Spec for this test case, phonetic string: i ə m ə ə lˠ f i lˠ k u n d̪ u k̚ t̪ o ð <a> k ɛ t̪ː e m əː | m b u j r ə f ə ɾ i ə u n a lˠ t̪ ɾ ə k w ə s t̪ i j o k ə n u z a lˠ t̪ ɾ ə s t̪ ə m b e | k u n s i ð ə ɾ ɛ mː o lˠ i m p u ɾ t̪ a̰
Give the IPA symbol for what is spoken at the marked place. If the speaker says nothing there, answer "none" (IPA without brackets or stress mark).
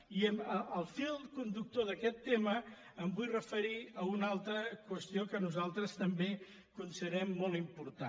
ə